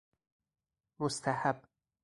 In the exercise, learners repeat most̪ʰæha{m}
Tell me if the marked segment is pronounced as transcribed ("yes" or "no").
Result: no